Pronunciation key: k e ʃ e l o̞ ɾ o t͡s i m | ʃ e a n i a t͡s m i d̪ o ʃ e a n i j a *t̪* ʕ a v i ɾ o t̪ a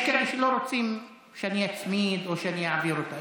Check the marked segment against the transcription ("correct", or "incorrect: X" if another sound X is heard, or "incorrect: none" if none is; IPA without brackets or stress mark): incorrect: none